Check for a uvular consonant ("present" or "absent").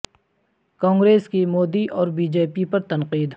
present